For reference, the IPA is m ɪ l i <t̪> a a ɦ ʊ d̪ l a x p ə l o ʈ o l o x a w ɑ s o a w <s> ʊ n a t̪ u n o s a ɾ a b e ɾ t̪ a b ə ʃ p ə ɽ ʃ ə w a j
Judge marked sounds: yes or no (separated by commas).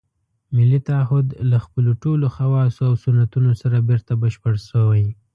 yes, yes